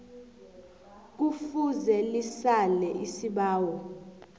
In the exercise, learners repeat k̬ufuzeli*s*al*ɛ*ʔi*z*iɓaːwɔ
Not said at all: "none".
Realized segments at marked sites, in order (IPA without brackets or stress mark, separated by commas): s, ɛ, s